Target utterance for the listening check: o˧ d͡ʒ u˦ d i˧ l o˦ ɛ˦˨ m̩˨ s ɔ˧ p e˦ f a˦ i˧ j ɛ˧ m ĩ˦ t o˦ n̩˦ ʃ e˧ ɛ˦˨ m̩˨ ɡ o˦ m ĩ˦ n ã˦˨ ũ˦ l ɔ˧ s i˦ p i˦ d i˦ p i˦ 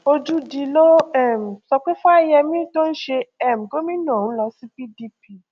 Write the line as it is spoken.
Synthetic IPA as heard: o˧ d͡ʒ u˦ d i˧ l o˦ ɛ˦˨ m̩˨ s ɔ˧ k͡p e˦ f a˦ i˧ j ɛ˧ m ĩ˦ t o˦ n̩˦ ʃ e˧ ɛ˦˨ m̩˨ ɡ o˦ m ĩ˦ n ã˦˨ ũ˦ l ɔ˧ s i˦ p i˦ d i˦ p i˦